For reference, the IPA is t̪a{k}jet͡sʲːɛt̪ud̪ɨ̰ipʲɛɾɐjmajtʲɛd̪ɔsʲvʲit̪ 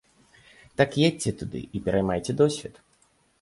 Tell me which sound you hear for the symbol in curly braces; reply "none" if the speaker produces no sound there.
k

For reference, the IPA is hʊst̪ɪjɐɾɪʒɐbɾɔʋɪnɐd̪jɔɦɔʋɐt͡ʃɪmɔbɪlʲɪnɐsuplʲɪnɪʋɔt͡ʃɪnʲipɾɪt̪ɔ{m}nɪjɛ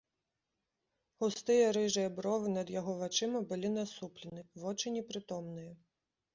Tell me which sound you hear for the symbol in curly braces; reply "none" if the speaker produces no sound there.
m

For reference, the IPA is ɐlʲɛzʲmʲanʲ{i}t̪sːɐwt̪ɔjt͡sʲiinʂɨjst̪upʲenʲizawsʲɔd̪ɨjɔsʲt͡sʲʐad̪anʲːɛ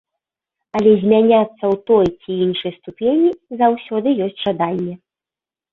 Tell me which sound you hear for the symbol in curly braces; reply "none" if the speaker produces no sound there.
a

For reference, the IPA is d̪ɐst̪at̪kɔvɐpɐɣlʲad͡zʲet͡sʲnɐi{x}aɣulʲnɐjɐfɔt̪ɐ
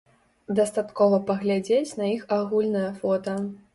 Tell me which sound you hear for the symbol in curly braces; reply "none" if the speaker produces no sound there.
x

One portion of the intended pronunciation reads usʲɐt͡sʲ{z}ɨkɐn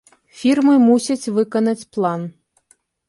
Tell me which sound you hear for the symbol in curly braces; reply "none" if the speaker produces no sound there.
v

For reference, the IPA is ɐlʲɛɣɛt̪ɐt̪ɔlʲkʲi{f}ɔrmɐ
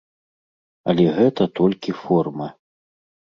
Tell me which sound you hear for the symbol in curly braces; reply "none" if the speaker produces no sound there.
f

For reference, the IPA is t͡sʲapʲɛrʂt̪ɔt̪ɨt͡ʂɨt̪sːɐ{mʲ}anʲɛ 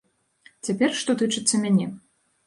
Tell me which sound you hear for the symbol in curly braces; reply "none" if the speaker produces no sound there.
mʲ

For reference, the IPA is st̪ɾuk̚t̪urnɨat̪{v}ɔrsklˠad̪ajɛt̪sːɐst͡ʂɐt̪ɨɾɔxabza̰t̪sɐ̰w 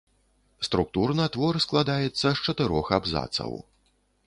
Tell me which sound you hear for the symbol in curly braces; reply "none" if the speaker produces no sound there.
v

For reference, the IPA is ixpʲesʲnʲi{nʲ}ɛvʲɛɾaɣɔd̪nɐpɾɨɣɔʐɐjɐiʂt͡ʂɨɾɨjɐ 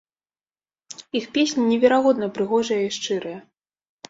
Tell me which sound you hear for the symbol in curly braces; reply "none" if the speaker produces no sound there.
nʲ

